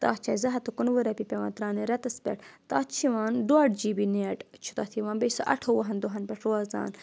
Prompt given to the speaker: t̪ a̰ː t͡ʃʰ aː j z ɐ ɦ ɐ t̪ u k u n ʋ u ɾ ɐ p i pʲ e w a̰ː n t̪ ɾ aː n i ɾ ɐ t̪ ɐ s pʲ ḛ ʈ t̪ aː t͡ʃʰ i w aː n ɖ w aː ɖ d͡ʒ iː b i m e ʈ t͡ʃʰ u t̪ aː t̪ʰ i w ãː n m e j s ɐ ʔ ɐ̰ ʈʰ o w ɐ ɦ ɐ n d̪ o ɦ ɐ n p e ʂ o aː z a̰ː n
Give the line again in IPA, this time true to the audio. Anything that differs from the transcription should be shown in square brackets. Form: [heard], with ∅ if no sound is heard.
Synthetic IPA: t̪ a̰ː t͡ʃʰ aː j z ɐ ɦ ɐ t̪ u k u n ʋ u ɾ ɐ p i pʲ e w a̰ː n t̪ ɾ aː n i ɾ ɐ t̪ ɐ s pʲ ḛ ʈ t̪ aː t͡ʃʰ i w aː n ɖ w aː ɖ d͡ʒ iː b i [n] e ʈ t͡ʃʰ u t̪ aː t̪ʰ i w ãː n [b] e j s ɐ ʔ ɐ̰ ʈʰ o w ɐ ɦ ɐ n d̪ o ɦ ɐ n p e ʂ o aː z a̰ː n